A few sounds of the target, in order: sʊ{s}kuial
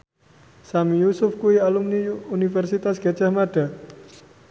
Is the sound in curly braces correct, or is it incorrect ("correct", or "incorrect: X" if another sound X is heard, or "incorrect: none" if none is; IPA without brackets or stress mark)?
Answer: incorrect: f